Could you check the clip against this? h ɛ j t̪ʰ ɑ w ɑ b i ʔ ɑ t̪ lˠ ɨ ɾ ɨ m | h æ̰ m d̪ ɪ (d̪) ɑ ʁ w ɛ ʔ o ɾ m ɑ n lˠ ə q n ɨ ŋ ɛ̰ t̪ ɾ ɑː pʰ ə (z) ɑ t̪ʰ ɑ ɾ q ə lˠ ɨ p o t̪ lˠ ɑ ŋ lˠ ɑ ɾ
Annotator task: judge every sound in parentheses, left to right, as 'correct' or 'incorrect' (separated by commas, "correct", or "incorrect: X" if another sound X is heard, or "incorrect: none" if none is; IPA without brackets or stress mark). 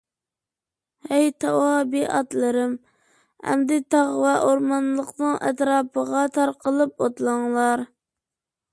incorrect: t̪, incorrect: ʁ